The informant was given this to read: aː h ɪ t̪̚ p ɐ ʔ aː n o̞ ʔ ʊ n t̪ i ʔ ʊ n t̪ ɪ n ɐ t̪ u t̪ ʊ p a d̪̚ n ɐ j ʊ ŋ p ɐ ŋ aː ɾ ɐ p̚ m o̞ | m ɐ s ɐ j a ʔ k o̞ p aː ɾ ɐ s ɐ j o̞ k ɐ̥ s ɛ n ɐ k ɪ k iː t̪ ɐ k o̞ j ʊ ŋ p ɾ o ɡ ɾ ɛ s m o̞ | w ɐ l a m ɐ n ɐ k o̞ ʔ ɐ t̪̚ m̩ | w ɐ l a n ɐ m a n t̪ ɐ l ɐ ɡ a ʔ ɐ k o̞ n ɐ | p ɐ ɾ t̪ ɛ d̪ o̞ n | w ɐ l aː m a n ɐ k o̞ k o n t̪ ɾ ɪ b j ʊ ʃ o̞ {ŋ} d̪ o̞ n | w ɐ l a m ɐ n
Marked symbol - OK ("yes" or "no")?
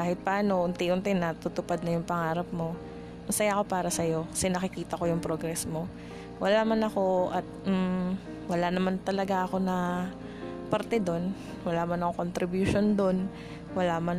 no